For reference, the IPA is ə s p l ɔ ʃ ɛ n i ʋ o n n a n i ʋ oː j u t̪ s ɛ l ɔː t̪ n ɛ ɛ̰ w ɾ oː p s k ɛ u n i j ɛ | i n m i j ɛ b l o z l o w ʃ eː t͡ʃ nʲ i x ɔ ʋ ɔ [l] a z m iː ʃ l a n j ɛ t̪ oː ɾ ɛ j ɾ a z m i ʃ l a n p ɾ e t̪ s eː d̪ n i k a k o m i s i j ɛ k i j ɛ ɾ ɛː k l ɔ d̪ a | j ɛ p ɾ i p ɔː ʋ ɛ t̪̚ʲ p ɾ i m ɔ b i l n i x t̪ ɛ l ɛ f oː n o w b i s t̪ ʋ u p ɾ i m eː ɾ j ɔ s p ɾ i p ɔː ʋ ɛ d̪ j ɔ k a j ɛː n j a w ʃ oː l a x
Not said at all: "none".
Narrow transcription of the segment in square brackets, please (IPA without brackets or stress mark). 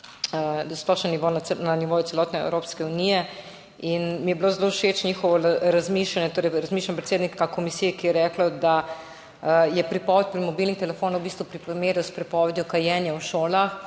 ɾ